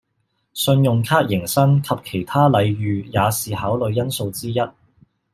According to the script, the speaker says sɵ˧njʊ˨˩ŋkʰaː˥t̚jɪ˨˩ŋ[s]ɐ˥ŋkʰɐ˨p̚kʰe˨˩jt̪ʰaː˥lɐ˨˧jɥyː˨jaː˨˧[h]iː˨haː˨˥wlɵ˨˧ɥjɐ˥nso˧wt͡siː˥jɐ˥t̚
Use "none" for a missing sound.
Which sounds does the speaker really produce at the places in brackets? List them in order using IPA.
s, s

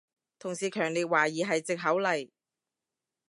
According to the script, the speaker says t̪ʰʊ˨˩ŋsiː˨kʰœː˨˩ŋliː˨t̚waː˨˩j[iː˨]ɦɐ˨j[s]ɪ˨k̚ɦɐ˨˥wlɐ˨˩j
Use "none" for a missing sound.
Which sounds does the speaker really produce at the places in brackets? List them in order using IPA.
iː˨, t͡s

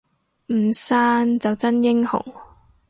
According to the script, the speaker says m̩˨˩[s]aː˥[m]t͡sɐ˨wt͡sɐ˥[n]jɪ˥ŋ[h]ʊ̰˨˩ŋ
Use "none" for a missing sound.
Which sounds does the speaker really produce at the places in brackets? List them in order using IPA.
s, n, n, h

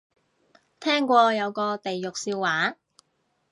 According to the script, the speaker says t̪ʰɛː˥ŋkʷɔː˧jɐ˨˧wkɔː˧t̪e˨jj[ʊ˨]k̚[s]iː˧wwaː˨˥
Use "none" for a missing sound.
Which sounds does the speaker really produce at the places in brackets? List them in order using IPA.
ʊ˨, s

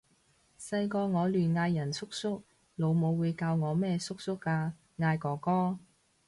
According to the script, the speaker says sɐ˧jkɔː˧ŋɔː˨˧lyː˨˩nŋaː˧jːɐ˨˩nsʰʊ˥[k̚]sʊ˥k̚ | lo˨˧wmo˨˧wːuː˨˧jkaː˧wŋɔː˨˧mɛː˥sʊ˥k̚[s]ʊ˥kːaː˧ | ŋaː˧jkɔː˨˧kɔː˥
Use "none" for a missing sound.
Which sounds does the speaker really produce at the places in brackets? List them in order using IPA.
k̚, s

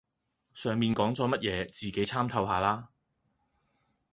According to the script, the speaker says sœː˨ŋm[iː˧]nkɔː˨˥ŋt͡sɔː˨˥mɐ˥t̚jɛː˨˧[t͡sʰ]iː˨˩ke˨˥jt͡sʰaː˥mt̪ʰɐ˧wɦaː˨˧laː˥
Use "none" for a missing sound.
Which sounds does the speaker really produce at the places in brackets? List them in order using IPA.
iː˧, t͡s

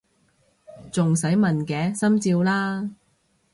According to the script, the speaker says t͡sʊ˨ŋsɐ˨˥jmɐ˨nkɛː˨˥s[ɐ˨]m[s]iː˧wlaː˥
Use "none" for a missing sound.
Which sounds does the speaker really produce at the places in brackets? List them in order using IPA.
ɐ˥, t͡s

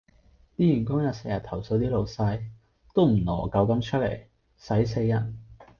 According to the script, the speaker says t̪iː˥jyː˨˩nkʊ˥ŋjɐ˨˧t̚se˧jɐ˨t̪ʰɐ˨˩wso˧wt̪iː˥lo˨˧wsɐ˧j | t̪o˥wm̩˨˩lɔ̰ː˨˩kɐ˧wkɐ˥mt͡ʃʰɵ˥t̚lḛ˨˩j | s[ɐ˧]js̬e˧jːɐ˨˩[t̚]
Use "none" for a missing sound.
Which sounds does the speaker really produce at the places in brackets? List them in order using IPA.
ɐ˨˥, t̚

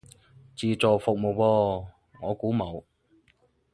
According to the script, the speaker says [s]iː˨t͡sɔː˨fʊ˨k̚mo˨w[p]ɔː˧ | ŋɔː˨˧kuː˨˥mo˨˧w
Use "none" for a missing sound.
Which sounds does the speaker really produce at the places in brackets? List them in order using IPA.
t͡s, p

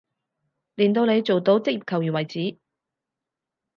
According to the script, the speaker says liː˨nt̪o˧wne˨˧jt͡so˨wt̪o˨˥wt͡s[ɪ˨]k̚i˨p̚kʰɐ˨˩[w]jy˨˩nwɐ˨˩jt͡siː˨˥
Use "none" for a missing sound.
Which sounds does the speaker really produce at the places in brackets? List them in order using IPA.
ɪ˥, w

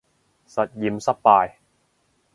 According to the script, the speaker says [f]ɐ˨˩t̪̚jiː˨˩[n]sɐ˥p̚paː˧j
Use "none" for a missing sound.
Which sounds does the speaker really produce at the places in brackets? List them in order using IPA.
s, m

